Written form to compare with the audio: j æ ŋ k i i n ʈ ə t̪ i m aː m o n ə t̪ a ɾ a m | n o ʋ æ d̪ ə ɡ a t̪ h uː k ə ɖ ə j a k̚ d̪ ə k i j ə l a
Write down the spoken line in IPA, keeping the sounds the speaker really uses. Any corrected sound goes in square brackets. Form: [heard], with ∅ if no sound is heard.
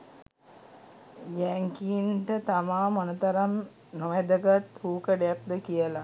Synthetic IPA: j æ ŋ k i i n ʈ ə t̪ [a] m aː m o n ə t̪ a ɾ a m | n o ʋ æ d̪ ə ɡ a t̪ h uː k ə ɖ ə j a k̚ d̪ ə k i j ə l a